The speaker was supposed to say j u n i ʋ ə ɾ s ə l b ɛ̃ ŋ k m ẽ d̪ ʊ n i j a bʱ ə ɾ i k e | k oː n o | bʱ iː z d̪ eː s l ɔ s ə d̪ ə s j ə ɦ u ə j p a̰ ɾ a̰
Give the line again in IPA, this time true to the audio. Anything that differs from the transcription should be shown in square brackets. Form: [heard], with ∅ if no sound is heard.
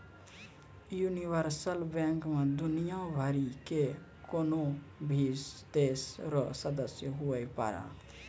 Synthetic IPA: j u n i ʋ ə ɾ s ə l b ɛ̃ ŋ k m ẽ d̪ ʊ n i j a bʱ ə ɾ i k e | k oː n o | bʱ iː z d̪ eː s [ɾ] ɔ s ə d̪ ə s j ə ɦ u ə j p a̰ ɾ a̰